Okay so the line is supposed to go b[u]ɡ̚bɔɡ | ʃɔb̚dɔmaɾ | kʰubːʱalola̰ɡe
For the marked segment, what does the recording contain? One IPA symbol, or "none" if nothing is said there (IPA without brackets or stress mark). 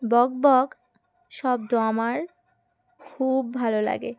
ɔ